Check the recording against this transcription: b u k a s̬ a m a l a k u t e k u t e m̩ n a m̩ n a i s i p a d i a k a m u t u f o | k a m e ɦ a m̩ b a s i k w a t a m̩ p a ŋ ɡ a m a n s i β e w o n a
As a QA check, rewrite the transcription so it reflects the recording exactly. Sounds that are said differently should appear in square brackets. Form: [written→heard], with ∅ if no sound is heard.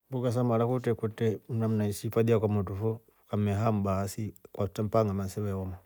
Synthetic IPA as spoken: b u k a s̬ a m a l a k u t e k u t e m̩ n a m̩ n a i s i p a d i a k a m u t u f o | k a m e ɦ a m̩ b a s i k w a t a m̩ p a ŋ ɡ a m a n s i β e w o [n→m] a